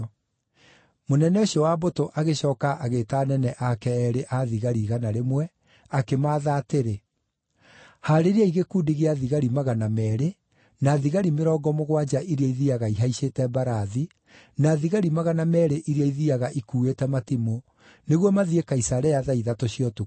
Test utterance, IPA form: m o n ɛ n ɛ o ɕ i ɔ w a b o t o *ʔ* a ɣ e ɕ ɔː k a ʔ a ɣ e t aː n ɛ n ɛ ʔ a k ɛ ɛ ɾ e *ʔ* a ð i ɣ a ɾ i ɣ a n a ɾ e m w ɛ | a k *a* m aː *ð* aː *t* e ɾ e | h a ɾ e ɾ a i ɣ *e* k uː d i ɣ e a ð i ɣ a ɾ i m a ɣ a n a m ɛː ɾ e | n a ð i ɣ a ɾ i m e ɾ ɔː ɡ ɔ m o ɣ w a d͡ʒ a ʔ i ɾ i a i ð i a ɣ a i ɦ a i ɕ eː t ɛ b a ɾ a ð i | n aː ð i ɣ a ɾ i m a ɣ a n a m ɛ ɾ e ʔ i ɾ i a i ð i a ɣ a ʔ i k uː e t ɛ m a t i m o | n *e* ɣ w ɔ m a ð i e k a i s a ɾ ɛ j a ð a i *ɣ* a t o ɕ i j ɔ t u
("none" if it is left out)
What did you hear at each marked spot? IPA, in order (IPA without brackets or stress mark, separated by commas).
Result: ʔ, ʔ, e, ð, t, e, e, ð